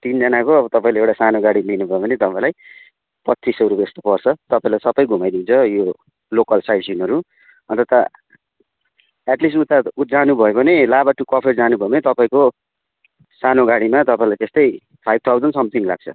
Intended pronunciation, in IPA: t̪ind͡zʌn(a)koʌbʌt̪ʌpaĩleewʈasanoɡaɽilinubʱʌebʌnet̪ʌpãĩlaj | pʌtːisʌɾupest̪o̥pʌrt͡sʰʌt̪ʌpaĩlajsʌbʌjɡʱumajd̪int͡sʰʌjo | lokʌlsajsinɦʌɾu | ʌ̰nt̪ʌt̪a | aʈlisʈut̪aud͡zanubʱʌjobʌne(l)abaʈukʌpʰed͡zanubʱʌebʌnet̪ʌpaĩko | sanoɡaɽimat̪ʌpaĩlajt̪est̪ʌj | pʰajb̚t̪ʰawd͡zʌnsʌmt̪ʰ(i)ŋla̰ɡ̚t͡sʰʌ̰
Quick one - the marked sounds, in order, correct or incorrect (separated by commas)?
correct, correct, correct